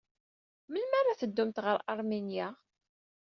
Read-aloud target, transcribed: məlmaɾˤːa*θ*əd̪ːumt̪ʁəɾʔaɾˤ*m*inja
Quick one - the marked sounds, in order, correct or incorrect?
correct, correct

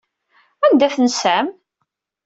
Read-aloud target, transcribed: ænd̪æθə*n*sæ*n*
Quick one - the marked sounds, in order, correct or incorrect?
correct, incorrect: m

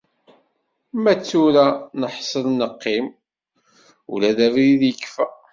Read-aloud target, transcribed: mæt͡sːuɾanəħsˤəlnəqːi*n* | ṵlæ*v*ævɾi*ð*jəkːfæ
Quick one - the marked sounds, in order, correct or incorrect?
incorrect: m, incorrect: ð, correct

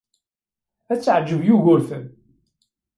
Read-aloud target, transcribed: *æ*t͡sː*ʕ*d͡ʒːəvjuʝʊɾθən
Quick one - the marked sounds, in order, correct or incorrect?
correct, correct

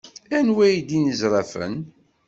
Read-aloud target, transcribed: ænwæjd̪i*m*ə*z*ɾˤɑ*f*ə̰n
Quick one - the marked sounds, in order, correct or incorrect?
incorrect: n, correct, correct

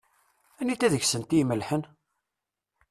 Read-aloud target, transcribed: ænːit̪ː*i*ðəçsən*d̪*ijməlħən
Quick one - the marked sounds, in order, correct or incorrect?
incorrect: æ, incorrect: t̪

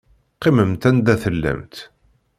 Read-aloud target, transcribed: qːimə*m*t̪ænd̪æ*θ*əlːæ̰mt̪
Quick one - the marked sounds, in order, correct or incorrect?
correct, correct

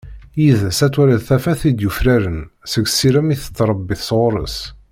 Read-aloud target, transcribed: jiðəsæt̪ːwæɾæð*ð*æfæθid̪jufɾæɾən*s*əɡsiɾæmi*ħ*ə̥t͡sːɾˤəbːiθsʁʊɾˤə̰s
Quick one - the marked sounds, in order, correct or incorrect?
incorrect: θ, correct, incorrect: θ

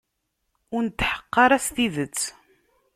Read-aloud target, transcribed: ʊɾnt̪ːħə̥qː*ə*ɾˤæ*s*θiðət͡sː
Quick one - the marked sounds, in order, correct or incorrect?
incorrect: ɑ, correct

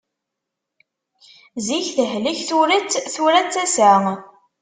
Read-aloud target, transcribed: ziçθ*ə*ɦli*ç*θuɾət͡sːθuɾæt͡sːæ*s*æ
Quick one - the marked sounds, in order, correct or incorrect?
correct, correct, correct

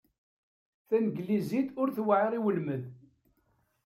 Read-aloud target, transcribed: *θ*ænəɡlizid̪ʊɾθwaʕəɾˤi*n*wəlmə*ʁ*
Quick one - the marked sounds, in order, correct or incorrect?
correct, incorrect: none, incorrect: ð

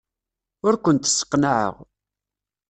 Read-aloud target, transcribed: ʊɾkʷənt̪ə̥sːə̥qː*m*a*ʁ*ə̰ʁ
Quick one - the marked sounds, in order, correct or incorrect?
incorrect: n, incorrect: ʕ

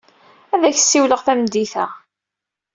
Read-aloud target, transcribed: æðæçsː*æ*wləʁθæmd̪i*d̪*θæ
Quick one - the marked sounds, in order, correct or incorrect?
incorrect: i, incorrect: none

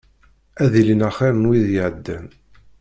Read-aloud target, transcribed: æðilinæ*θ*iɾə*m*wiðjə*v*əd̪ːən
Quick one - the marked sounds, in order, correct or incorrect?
incorrect: χ, incorrect: n, incorrect: ʕ

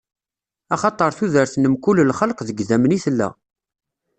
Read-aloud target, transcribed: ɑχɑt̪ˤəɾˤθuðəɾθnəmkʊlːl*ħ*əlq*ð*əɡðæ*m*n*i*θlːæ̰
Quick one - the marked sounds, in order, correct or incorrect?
incorrect: χ, correct, correct, correct

